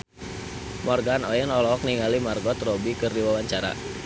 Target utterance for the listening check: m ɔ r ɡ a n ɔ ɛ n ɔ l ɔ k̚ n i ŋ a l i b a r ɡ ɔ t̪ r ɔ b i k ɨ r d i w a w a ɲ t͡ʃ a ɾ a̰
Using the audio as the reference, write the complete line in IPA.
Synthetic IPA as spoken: m ɔ r ɡ a n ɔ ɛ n ɔ l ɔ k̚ n i ŋ a l i m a r ɡ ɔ t̪ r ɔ b i k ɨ r d i w a w a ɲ t͡ʃ a ɾ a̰